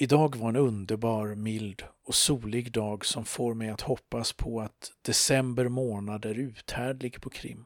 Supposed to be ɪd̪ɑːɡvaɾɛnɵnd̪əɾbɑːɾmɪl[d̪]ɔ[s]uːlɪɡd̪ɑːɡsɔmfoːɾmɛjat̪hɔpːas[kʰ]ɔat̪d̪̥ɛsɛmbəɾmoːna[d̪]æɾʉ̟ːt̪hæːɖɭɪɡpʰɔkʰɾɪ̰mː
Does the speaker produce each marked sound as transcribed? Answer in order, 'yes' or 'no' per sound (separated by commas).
yes, yes, no, yes